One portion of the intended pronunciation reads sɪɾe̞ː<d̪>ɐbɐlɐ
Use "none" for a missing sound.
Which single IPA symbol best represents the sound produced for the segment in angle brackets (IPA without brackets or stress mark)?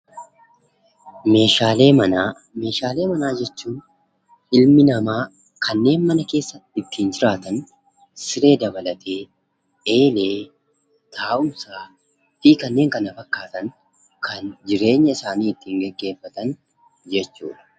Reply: d̪